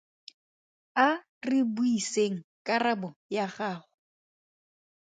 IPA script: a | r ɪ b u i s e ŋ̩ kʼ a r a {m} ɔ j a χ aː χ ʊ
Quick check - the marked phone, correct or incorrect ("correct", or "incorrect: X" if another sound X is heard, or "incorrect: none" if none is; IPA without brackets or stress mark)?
incorrect: b